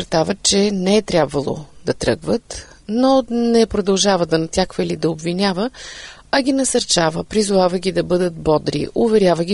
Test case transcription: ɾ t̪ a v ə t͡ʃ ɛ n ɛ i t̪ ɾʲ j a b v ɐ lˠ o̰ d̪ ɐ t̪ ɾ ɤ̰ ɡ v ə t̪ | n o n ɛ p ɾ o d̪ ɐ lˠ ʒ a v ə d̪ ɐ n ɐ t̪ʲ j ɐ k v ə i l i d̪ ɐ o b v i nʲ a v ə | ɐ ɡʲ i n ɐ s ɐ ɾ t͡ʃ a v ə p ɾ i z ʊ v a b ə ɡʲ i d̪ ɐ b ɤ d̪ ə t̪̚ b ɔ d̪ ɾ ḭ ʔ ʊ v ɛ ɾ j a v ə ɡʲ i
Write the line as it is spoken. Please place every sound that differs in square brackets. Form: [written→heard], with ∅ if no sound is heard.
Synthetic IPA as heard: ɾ t̪ a v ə t͡ʃ ɛ n ɛ [i→ɛ] t̪ ɾʲ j a b v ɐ lˠ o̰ d̪ ɐ t̪ ɾ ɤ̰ ɡ v ə t̪ | n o n ɛ p ɾ o d̪ ɐ lˠ ʒ a v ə d̪ ɐ n ɐ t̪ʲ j [ɐ→a] k v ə i l i d̪ ɐ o b v i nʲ a v ə | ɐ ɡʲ i n ɐ s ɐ ɾ t͡ʃ a v ə p ɾ i z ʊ v a [b→v] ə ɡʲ i d̪ ɐ b ɤ d̪ ə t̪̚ b ɔ d̪ ɾ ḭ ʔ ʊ v ɛ ɾ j a v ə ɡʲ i